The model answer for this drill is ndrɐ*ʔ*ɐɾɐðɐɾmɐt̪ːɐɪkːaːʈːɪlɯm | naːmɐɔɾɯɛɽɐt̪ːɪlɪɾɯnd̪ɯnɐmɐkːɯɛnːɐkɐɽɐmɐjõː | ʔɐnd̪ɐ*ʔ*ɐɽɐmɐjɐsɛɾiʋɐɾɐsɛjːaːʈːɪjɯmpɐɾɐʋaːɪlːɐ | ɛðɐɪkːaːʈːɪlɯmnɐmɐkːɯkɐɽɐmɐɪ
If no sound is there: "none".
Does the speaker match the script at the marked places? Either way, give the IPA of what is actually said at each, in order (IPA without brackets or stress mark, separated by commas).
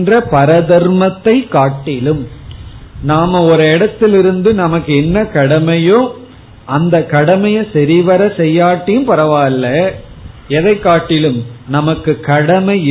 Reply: p, k